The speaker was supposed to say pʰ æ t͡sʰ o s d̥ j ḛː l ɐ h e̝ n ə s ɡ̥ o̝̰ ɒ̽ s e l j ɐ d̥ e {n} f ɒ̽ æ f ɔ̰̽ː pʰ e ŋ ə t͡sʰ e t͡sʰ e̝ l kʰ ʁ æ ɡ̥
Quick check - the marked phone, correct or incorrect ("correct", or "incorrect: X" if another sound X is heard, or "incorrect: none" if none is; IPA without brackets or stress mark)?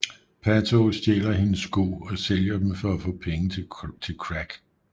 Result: incorrect: m